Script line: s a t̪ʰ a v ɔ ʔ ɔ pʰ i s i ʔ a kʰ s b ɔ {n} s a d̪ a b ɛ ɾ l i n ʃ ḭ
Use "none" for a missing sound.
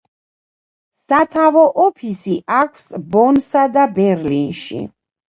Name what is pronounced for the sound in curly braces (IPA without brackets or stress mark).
n